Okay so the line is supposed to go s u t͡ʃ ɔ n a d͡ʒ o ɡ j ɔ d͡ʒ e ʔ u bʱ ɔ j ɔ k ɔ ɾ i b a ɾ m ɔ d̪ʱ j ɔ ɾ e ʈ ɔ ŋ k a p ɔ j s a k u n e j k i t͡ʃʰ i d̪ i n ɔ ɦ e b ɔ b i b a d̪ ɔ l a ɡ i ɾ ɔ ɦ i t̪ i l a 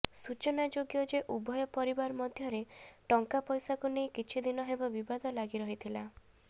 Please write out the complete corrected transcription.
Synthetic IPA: s u t͡ʃ ɔ n a d͡ʒ o ɡ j ɔ d͡ʒ e ʔ u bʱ ɔ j ɔ p ɔ ɾ i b a ɾ m ɔ d̪ʱ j ɔ ɾ e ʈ ɔ ŋ k a p ɔ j s a k u n e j k i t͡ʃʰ i d̪ i n ɔ ɦ e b ɔ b i b a d̪ ɔ l a ɡ i ɾ ɔ ɦ i t̪ʰ i l a